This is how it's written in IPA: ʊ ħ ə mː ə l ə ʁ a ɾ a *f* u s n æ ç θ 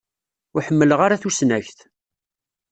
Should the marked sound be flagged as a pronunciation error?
yes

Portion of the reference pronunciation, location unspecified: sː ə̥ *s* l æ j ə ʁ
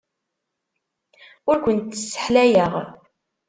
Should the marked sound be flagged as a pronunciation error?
yes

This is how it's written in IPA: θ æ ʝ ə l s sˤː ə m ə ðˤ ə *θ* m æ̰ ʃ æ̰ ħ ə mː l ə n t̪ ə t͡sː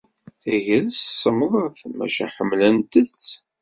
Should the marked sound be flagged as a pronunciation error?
no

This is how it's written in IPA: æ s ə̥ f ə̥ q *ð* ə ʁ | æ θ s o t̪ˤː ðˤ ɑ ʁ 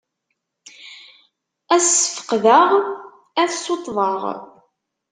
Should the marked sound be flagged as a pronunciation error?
no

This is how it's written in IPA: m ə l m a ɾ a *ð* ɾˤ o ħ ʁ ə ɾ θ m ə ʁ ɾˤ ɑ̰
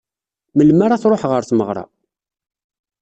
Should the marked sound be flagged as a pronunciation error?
yes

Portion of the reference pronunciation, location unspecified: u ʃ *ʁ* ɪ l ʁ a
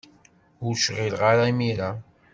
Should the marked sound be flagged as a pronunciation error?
no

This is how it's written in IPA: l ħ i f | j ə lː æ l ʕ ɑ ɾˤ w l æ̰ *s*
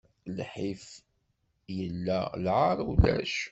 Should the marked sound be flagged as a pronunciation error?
yes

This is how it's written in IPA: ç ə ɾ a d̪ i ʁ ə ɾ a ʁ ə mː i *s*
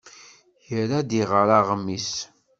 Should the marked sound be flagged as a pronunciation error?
no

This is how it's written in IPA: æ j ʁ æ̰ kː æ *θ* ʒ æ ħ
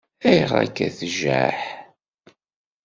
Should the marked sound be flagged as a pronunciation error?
no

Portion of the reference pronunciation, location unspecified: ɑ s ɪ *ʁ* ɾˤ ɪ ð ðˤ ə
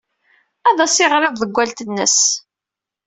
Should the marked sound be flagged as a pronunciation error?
no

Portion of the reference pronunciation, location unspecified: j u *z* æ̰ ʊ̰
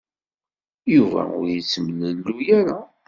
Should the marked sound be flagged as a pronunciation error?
yes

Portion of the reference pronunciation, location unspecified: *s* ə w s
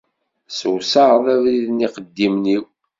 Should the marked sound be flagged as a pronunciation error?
no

